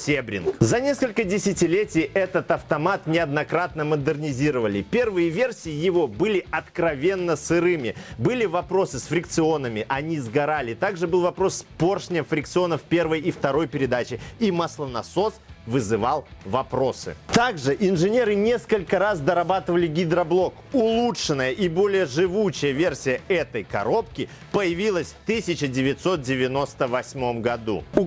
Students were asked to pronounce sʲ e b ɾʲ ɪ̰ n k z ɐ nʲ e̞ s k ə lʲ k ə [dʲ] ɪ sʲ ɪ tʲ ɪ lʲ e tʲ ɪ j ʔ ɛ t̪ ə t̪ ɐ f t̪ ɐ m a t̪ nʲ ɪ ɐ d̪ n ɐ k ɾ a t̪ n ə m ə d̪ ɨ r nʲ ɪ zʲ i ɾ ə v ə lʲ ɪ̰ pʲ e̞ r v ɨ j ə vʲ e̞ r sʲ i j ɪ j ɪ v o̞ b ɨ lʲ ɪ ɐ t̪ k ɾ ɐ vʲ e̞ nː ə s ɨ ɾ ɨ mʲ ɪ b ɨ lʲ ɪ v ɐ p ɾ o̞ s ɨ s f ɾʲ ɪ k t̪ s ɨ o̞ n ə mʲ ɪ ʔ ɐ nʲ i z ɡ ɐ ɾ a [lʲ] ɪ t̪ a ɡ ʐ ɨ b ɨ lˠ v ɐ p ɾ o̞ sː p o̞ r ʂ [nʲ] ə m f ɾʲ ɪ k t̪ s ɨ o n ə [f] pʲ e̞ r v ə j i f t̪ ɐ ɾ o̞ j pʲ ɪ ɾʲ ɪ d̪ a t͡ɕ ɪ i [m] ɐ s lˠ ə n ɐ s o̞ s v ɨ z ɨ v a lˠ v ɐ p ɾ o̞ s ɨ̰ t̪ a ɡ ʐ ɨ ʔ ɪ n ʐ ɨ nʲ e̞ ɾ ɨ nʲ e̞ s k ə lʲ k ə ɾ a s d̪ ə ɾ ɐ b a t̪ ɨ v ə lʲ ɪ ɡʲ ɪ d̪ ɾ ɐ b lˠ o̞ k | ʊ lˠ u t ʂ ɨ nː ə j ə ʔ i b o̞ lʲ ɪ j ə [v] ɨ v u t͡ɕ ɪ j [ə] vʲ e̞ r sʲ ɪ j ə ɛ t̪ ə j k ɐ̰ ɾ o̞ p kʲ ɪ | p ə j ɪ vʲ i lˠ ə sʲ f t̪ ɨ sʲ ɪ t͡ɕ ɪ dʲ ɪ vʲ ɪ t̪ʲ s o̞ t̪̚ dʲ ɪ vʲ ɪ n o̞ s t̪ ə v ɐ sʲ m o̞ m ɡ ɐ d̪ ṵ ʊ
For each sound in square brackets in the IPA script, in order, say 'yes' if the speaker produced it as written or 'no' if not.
yes, yes, yes, yes, yes, no, yes

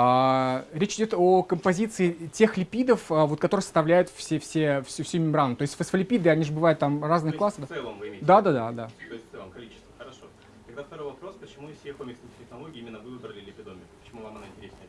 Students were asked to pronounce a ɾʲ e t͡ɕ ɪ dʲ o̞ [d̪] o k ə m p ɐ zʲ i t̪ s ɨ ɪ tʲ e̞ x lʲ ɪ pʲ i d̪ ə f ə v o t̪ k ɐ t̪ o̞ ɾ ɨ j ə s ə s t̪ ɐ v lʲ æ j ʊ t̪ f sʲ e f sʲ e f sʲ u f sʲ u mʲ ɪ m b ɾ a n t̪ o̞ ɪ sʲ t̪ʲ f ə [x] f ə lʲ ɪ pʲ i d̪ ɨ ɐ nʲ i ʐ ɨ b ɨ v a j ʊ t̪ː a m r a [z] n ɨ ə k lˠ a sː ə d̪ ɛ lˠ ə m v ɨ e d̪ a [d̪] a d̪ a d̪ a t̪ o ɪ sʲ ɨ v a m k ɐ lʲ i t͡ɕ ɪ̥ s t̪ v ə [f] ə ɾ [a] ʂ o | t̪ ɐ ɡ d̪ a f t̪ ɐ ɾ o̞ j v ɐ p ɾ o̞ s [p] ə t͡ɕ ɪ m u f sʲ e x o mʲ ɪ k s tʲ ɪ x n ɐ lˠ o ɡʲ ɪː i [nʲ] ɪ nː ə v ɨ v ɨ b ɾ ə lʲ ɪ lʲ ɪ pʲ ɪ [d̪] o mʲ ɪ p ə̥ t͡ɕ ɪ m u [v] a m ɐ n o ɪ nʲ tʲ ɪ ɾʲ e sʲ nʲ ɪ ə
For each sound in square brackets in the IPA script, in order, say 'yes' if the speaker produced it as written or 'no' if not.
no, no, yes, yes, no, no, yes, no, yes, yes

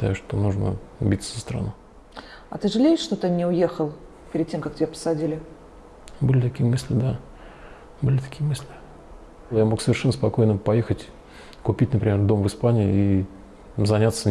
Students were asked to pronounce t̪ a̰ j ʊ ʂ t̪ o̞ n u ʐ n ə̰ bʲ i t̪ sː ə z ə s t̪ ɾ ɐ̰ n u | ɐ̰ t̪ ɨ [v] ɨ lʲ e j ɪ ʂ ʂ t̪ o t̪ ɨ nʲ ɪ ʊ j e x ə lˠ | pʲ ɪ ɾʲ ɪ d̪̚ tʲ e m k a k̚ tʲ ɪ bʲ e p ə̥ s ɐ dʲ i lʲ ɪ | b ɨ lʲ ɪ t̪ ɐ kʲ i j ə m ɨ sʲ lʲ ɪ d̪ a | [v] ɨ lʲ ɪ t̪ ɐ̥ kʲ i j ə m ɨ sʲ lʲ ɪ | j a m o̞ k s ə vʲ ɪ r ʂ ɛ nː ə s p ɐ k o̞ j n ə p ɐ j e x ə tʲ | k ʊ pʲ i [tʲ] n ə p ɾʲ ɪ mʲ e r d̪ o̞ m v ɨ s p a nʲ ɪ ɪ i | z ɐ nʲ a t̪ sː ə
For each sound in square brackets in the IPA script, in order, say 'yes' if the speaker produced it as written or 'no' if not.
no, no, yes

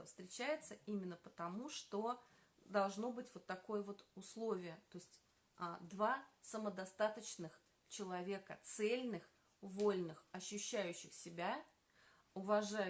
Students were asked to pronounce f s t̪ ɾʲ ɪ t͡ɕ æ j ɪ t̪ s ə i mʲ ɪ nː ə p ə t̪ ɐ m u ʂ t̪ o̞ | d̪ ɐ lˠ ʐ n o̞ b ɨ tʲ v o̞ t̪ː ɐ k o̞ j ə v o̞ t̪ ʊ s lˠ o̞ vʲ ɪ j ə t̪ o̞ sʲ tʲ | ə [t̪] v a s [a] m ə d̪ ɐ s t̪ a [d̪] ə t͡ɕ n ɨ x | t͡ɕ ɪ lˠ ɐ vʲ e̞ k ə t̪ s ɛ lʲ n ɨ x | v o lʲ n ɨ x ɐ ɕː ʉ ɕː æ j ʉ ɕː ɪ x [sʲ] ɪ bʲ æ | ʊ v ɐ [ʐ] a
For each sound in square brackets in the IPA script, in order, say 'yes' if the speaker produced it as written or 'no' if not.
no, no, no, yes, yes

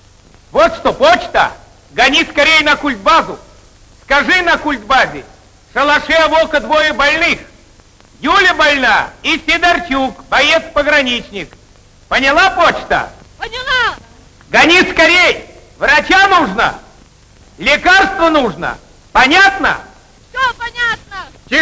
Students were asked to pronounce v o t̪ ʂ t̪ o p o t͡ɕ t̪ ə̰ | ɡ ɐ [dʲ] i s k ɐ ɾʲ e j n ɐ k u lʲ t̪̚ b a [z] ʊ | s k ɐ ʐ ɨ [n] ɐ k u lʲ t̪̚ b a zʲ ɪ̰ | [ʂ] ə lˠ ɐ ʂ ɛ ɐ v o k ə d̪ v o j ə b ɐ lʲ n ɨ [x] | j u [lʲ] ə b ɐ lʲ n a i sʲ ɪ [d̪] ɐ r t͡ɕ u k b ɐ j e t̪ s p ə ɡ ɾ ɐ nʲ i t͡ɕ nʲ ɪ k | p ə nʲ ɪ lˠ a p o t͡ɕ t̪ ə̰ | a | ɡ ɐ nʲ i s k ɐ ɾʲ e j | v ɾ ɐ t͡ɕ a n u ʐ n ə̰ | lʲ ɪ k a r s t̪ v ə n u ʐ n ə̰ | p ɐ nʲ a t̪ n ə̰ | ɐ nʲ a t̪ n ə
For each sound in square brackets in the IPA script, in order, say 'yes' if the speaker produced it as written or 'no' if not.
no, yes, yes, yes, yes, yes, yes

